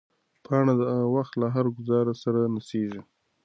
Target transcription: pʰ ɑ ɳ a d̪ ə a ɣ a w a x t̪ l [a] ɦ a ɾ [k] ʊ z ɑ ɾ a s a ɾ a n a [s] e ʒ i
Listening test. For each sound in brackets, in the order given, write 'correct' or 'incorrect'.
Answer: correct, incorrect: ɡ, correct

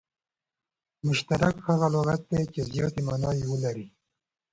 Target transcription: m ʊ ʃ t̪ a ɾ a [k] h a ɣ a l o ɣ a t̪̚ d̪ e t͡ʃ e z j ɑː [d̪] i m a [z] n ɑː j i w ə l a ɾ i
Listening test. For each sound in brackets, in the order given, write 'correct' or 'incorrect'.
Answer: correct, incorrect: t̪, incorrect: none

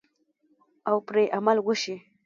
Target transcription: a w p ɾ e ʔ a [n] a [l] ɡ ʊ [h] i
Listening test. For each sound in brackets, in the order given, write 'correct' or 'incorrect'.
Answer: incorrect: m, correct, incorrect: ʃ

